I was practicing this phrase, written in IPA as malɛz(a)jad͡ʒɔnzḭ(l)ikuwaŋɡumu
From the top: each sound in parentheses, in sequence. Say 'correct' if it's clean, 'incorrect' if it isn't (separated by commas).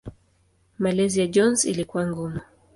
incorrect, correct